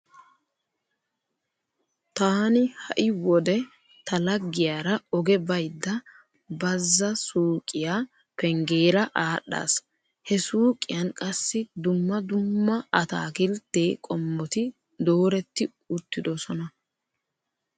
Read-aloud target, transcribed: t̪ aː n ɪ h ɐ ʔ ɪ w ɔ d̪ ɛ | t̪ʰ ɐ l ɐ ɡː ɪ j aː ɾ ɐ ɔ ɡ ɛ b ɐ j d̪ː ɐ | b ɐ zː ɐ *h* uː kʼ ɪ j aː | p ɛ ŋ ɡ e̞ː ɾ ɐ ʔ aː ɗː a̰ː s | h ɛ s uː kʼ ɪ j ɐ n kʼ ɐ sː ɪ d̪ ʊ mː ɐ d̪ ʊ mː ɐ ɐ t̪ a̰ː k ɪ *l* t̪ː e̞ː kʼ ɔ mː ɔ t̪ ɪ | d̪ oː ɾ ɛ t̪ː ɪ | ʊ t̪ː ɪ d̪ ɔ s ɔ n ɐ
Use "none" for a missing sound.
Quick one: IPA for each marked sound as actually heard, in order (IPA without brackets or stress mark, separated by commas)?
s, l